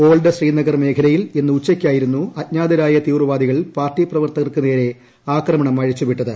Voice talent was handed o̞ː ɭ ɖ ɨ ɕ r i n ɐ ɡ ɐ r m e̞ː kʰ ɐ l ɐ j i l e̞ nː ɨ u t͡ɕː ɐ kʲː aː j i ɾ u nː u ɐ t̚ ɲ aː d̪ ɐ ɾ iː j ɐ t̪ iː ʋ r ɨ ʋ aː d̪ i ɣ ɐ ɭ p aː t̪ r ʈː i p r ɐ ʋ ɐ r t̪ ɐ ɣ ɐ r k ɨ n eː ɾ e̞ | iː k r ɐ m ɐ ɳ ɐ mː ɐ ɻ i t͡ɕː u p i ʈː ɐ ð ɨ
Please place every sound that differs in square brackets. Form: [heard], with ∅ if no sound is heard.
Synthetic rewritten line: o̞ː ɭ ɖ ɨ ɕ r [iː] n ɐ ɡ ɐ r m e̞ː kʰ ɐ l ɐ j i l e̞ nː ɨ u t͡ɕː ɐ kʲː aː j i ɾ u nː u ɐ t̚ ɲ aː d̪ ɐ ɾ [aː] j ɐ t̪ iː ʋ r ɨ ʋ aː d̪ i ɣ ɐ ɭ p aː [∅] r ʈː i p r ɐ ʋ ɐ r t̪ ɐ ɣ ɐ r k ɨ n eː ɾ e̞ | [aː] k r ɐ m ɐ ɳ ɐ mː ɐ ɻ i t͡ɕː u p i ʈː ɐ ð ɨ